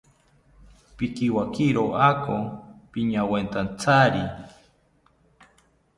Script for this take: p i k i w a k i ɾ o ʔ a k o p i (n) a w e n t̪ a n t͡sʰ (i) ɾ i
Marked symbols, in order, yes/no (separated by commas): no, no